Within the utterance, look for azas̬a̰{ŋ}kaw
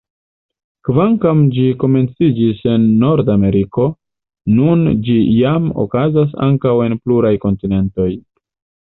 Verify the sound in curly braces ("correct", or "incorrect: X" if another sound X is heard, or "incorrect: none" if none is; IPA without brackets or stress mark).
correct